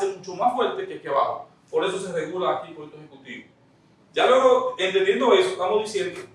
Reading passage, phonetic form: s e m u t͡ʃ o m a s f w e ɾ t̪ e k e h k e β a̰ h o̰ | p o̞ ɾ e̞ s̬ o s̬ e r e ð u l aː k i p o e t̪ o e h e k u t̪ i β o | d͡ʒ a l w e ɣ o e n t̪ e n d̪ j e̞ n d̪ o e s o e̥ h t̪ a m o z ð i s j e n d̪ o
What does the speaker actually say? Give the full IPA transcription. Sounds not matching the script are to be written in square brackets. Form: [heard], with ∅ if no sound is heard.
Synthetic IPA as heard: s e m u t͡ʃ o m a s f w e ɾ t̪ e k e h k e β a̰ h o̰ | p o̞ ɾ e̞ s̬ o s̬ e r e [ɣ] u l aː k i p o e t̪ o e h e k u t̪ i β o | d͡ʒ a l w e ɣ o e n t̪ e n d̪ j e̞ n d̪ o e s o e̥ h t̪ a m o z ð i s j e n d̪ o